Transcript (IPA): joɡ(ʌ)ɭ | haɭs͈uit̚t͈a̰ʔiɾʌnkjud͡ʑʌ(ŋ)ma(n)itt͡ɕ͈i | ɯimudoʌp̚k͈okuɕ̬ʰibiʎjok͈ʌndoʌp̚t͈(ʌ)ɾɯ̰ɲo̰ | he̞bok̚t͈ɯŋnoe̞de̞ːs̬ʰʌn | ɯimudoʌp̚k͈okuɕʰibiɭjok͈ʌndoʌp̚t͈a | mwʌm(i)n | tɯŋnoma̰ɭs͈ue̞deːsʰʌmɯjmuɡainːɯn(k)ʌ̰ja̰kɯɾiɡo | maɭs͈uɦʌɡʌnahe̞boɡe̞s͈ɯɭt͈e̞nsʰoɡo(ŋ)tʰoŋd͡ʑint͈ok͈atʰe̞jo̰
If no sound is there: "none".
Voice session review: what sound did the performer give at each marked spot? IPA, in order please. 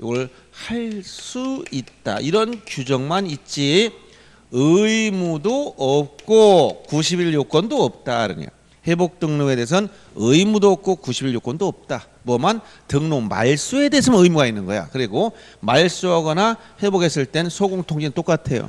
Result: ʌ, ŋ, n, a, a, ɡ, ŋ

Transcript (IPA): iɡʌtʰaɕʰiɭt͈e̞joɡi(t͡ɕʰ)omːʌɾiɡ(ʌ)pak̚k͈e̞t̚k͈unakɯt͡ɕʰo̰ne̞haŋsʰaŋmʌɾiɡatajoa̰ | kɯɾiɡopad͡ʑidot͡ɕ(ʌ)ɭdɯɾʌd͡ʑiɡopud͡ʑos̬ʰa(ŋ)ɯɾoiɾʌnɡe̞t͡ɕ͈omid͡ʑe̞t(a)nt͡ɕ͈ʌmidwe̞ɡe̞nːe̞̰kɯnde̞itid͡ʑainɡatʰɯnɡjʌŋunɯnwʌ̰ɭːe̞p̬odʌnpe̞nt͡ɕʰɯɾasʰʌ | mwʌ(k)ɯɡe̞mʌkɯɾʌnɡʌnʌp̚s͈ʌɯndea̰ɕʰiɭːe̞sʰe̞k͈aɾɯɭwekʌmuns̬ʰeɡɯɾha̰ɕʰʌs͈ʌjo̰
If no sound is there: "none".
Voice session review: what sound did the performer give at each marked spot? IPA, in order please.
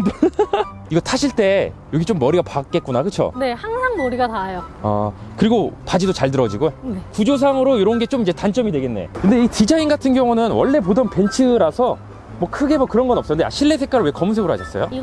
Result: t͡ɕ, a, a, ŋ, a, kʰ

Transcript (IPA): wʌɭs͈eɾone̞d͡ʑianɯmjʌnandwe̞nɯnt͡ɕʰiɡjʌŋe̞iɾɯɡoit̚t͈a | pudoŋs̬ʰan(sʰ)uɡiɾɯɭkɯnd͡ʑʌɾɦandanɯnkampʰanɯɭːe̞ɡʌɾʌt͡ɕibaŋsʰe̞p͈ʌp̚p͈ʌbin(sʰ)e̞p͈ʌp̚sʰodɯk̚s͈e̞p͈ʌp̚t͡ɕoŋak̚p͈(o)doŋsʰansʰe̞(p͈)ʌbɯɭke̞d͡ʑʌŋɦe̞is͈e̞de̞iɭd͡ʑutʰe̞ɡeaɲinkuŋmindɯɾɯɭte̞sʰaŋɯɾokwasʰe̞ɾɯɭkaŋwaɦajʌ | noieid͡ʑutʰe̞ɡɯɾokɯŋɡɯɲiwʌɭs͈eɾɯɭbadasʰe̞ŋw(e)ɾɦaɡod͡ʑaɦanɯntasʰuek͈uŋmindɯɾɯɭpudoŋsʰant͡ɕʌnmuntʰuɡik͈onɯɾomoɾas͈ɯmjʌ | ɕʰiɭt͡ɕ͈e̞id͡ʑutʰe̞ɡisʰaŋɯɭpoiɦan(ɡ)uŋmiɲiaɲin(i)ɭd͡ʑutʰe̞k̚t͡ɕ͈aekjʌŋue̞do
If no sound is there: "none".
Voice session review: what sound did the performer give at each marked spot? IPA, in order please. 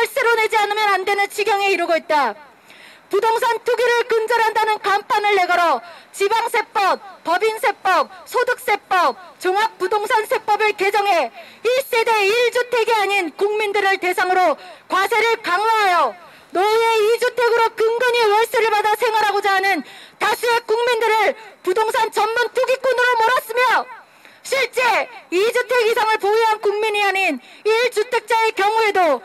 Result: tʰ, sʰ, u, p͈, a, k, i

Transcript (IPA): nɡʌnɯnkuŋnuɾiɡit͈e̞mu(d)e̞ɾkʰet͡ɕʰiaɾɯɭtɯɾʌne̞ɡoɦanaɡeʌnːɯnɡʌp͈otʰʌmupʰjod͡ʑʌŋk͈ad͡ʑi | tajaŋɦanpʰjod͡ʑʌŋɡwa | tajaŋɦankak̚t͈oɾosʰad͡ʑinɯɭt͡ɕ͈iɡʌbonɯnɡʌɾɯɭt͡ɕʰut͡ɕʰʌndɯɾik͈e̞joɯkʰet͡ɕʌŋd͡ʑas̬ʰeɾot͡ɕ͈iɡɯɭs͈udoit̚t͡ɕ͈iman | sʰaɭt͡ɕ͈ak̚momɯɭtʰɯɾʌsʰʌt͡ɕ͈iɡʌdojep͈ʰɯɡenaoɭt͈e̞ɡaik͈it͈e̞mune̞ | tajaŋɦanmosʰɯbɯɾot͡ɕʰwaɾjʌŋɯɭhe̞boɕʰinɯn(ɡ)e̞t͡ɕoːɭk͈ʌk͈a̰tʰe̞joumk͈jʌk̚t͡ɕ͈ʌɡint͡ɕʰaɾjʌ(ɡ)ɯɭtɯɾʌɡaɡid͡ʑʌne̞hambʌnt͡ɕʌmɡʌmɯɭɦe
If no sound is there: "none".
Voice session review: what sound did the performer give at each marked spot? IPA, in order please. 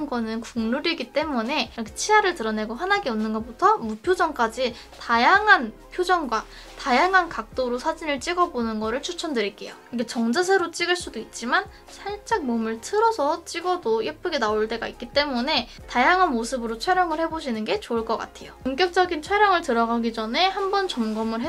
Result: n, ɡ, ŋ

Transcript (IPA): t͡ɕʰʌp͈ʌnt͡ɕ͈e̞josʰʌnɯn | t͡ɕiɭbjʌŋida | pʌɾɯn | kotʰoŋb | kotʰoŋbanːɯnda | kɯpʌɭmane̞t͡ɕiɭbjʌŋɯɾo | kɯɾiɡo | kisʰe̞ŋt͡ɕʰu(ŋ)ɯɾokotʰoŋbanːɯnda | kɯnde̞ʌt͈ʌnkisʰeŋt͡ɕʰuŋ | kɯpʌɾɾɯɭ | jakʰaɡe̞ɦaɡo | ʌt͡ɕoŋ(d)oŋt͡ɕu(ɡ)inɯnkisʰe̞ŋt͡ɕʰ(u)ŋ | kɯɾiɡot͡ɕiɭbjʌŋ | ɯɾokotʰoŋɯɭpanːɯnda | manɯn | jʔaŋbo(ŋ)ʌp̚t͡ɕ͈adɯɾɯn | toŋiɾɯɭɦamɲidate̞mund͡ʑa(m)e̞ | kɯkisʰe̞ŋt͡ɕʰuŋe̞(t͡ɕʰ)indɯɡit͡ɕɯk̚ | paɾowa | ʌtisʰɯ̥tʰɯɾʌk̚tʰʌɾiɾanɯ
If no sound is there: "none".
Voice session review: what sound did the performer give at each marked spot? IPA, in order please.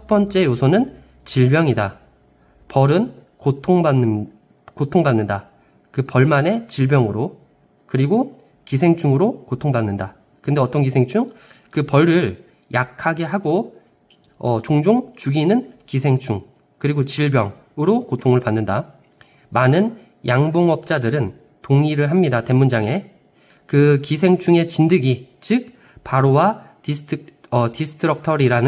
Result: ŋ, d͡ʑ, ɡ, u, ŋ, ŋ, t͡ɕ

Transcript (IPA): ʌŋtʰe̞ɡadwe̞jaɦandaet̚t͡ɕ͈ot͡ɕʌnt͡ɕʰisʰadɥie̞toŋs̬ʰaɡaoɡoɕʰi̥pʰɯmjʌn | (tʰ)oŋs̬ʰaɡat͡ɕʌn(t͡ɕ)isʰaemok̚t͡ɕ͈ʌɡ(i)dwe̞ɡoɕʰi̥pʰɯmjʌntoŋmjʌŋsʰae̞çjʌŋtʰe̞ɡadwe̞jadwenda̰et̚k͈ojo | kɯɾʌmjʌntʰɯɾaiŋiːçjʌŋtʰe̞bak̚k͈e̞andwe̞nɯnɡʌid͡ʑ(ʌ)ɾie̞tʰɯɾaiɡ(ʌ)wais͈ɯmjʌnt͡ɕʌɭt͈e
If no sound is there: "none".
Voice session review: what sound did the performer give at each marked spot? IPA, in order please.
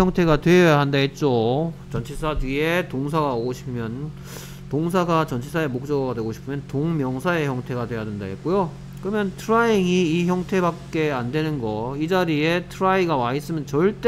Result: t, t͡ɕʰ, a, a, a

